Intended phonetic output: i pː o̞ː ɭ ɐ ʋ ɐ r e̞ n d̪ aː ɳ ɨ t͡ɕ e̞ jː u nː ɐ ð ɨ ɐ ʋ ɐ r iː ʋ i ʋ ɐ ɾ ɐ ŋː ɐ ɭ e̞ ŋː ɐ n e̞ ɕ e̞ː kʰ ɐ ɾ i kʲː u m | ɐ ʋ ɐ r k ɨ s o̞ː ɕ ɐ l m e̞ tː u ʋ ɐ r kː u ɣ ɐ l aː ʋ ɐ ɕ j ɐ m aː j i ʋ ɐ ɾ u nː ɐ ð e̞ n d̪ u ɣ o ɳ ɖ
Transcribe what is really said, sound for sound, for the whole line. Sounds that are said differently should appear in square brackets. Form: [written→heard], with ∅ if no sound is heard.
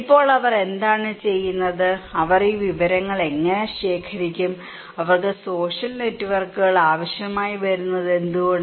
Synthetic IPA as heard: i pː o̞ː ɭ ɐ ʋ ɐ r e̞ n d̪ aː ɳ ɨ t͡ɕ e̞ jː u nː ɐ ð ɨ ɐ ʋ ɐ r iː ʋ i ʋ ɐ ɾ ɐ ŋː ɐ ɭ e̞ ŋː ɐ n e̞ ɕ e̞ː kʰ ɐ ɾ i kʲː u m | ɐ ʋ ɐ r k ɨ s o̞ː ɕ ɐ l [m→n] e̞ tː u ʋ ɐ r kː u ɣ ɐ [l→ɭ] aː ʋ ɐ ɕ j ɐ m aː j i ʋ ɐ ɾ u nː ɐ ð e̞ n d̪ u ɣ o ɳ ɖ